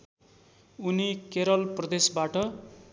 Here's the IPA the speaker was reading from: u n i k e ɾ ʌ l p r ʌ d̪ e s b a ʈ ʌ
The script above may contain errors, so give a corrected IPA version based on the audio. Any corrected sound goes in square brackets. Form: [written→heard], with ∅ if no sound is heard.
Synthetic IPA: u n i k e ɾ ʌ l p r ʌ d̪ e s b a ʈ ʌ